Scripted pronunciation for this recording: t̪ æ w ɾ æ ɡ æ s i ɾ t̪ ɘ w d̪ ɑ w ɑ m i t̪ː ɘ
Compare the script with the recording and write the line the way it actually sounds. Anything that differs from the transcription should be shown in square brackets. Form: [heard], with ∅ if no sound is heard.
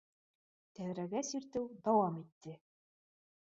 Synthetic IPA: t̪ æ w ɾ æ ɡ æ s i ɾ t̪ ɘ w d̪ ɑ w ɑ m i t̪ː ɘ